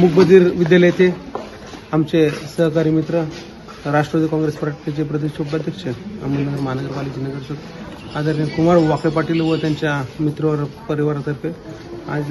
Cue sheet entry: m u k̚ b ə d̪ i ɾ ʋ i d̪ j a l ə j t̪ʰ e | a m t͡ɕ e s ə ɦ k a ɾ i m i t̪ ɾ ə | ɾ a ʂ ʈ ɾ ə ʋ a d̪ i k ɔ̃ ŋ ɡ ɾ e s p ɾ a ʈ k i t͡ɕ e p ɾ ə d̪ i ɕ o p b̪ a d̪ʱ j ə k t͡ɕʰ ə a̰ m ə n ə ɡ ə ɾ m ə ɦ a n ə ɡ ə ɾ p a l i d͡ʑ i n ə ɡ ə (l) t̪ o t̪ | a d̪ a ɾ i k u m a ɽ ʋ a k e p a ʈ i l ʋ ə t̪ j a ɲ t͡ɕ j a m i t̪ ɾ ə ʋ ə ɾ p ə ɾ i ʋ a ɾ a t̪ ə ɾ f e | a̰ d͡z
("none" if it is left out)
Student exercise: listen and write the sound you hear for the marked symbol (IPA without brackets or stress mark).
ɾ